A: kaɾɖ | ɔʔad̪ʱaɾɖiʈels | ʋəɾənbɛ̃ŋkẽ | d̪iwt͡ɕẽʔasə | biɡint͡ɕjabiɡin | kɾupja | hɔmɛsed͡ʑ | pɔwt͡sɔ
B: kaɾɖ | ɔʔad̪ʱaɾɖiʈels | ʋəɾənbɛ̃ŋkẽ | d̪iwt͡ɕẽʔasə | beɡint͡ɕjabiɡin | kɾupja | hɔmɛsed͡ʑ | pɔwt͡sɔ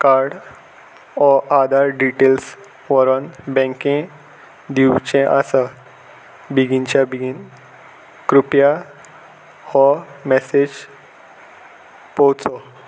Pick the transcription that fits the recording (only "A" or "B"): A